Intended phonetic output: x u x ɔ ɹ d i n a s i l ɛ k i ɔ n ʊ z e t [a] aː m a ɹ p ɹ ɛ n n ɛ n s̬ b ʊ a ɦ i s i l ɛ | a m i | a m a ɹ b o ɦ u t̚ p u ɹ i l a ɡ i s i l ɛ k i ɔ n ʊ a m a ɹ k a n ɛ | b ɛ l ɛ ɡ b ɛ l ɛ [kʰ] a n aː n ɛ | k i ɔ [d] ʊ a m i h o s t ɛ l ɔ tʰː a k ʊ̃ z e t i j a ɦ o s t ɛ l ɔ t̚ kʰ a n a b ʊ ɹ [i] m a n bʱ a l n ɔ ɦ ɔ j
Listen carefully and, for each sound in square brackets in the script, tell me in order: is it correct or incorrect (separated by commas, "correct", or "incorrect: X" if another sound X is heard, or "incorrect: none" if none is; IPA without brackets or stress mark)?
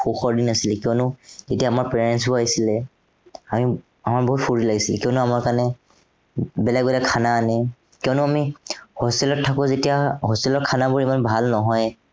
incorrect: i, correct, incorrect: n, correct